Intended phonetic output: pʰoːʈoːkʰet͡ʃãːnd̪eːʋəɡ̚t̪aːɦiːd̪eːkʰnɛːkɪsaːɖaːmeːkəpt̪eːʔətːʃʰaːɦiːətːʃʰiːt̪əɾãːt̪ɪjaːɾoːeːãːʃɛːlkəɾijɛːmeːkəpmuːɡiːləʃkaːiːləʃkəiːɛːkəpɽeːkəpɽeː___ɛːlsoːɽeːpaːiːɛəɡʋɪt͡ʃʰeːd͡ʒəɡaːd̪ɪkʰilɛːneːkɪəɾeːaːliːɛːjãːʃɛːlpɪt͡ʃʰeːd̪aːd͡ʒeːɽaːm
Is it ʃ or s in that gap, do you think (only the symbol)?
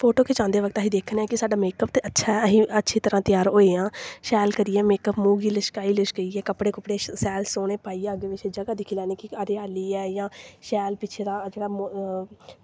s